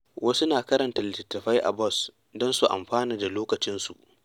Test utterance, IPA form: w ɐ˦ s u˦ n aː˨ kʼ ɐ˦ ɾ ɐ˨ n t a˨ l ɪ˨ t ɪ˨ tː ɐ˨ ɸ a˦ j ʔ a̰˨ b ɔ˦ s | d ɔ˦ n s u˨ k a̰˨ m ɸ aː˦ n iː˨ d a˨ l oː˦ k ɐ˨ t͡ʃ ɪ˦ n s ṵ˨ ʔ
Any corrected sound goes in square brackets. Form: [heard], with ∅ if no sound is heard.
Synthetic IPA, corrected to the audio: w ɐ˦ s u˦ n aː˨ [k] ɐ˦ ɾ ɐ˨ n t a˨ l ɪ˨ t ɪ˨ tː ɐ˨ ɸ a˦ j ʔ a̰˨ b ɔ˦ s | d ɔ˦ n s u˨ [ʔ] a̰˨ m ɸ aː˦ n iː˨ d a˨ l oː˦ k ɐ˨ t͡ʃ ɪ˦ n s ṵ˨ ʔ